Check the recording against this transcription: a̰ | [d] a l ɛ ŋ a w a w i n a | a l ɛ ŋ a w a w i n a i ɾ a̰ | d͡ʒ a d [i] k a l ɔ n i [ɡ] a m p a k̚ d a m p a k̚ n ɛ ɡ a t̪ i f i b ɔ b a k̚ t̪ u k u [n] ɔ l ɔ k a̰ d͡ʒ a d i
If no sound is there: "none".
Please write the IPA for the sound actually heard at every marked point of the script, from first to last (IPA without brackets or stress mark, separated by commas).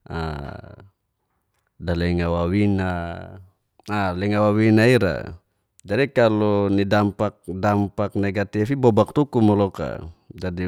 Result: d, i, d, m